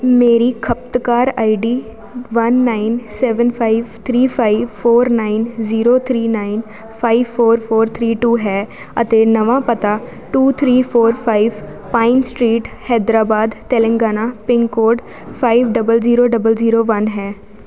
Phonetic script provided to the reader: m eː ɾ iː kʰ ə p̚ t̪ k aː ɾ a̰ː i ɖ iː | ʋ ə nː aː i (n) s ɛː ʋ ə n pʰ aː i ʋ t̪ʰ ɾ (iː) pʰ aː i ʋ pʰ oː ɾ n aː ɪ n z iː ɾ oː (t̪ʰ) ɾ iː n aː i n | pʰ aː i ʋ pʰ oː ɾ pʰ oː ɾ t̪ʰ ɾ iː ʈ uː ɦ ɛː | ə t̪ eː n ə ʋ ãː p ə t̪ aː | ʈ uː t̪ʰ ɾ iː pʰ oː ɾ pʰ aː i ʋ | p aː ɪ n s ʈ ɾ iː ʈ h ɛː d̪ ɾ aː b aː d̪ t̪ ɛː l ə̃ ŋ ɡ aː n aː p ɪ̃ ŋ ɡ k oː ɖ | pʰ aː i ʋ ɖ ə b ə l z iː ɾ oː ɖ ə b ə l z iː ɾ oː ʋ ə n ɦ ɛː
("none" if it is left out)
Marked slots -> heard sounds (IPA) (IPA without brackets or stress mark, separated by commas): n, iː, t̪ʰ